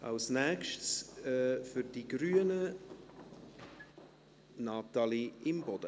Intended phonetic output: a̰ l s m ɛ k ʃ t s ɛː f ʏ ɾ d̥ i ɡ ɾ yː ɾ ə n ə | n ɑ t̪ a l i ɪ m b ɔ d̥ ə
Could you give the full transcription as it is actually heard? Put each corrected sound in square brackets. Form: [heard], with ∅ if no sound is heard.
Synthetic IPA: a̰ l s [n] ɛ k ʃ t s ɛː f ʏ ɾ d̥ i ɡ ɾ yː [∅] ə n ə | n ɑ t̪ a l i ɪ m b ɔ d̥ ə